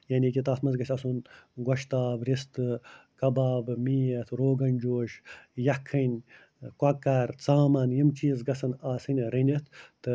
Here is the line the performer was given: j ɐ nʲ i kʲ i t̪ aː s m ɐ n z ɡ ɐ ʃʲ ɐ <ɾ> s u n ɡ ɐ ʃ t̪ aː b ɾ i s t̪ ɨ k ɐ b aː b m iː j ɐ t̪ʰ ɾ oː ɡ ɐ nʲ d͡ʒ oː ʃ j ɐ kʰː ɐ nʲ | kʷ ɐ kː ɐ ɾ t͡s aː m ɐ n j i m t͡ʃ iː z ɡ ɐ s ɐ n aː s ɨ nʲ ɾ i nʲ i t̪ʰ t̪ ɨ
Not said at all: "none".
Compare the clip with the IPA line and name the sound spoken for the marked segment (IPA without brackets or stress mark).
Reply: none